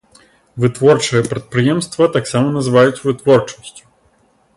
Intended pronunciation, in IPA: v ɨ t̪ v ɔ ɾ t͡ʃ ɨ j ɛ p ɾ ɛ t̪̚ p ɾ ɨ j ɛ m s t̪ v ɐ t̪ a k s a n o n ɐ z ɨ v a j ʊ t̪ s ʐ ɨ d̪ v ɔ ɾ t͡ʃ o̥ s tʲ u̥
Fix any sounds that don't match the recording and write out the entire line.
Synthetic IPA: v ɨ t̪ v ɔ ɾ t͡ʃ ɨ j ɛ p ɾ ɛ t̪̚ p ɾ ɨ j ɛ m s t̪ v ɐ t̪ a k s a m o n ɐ z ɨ v a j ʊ t̪ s v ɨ t̪ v ɔ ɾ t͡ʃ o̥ s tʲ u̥

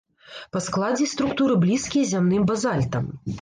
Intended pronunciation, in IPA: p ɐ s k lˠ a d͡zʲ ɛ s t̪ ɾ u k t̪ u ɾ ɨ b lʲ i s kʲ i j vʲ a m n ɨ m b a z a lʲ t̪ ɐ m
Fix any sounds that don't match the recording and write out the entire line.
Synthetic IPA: p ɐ s k lˠ a d͡zʲ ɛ s t̪ ɾ u k t̪ u ɾ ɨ b lʲ i s kʲ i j zʲ a m n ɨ m b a z a lʲ t̪ ɐ m

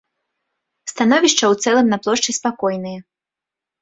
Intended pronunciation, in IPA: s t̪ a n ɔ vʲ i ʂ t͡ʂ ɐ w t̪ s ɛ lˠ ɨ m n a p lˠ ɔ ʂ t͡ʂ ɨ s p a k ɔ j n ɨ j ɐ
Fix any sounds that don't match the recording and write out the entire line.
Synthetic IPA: s t̪ a n ɔ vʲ i ʂ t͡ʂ ɐ w t̪ s ɛ lˠ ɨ m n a p lˠ ɔ ʂ t͡ʂ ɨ s p a k ɔ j n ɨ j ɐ

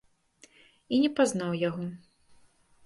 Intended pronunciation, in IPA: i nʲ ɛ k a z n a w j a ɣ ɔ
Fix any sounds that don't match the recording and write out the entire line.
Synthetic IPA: i nʲ ɛ p a z n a w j a ɣ ɔ

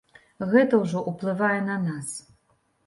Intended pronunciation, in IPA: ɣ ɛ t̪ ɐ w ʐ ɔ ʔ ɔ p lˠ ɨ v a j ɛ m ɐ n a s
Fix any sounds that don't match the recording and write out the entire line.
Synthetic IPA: ɣ ɛ t̪ ɐ w ʐ ɔ ʔ u p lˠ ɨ v a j ɛ n ɐ n a s

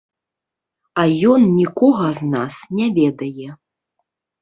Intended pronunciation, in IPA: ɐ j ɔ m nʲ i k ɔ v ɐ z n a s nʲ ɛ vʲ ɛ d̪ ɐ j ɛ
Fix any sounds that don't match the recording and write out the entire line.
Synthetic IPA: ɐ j ɔ n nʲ i k ɔ ɣ ɐ z n a s nʲ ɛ vʲ ɛ d̪ ɐ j ɛ

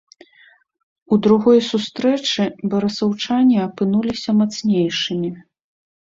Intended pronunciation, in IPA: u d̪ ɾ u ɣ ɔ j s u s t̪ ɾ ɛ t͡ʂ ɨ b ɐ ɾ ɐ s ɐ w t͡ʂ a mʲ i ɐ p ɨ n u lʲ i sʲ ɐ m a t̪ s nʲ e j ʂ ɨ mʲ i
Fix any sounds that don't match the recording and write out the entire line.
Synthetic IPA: u d̪ ɾ u ɣ ɔ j s u s t̪ ɾ ɛ t͡ʂ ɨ b ɐ ɾ ɐ s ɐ w t͡ʂ a nʲ i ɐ p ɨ n u lʲ i sʲ ɐ m a t̪ s nʲ e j ʂ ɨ mʲ i

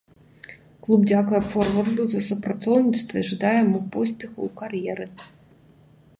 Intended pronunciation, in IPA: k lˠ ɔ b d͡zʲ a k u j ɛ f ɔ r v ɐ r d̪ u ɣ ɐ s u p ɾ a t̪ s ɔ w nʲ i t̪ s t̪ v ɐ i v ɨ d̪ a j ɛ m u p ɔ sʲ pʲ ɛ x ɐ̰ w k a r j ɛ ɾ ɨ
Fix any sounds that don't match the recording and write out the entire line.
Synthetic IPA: k lˠ u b d͡zʲ a k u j ɛ f ɔ r v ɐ r d̪ u z ɐ s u p ɾ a t̪ s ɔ w nʲ i t̪ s t̪ v ɐ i ʐ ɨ d̪ a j ɛ m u p ɔ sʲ pʲ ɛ x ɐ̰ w k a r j ɛ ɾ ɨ

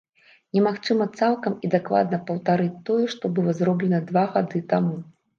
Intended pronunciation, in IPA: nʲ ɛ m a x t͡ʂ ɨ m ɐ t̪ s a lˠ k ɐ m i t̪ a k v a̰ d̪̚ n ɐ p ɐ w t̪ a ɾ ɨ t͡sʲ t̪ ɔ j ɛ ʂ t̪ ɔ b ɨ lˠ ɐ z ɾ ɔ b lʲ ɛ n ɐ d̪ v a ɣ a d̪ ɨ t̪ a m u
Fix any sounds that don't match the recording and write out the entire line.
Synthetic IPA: nʲ ɛ m a x t͡ʂ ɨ m ɐ t̪ s a lˠ k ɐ m i d̪ a k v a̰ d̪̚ n ɐ p ɐ w t̪ a ɾ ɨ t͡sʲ t̪ ɔ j ɛ ʂ t̪ ɔ b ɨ lˠ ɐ z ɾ ɔ b lʲ ɛ n ɐ d̪ v a ɣ a d̪ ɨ t̪ a m u

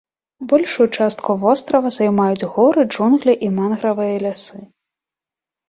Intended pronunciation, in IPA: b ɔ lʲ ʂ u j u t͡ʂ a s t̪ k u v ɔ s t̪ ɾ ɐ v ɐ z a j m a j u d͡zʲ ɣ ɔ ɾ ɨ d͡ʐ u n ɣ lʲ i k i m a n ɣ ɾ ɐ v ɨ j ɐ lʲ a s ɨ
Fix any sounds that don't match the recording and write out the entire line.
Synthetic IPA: b ɔ lʲ ʂ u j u t͡ʂ a s t̪ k u v ɔ s t̪ ɾ ɐ v ɐ z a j m a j u d͡zʲ ɣ ɔ ɾ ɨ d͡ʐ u n ɣ lʲ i ʔ i m a n ɣ ɾ ɐ v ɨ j ɐ lʲ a s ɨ

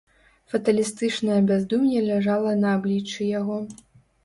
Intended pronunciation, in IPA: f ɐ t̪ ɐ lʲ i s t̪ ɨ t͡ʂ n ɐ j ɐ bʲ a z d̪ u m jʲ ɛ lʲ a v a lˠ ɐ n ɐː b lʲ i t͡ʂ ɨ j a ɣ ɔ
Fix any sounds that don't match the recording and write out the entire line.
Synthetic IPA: f ɐ t̪ ɐ lʲ i s t̪ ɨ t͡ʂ n ɐ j ɐ bʲ a z d̪ u m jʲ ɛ lʲ a ʐ a lˠ ɐ n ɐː b lʲ i t͡ʂ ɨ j a ɣ ɔ

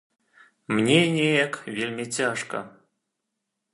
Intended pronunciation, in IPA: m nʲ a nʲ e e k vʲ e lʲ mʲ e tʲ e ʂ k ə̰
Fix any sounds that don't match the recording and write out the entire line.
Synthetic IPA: m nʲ e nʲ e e k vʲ e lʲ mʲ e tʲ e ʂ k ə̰

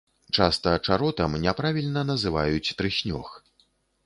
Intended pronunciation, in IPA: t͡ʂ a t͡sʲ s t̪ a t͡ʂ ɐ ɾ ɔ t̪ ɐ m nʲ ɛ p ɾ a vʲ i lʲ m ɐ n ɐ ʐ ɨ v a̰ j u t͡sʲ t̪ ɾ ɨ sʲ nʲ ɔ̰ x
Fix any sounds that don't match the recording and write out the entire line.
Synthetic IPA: t͡ʂ a s t̪ ɐ t͡ʂ a ɾ ɔ t̪ ɐ m nʲ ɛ p ɾ a vʲ i lʲ n ɐ n ɐ z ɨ v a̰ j u t͡sʲ t̪ ɾ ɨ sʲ nʲ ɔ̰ x

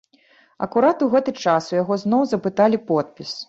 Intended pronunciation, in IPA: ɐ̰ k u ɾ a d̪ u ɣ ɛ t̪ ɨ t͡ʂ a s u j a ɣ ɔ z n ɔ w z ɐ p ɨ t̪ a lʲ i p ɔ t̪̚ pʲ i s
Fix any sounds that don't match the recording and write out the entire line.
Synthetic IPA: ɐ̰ k u ɾ a t̪ u ɣ ɛ t̪ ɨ t͡ʂ a s u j a ɣ ɔ z n ɔ w z ɐ p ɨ t̪ a lʲ i p ɔ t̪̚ pʲ i s

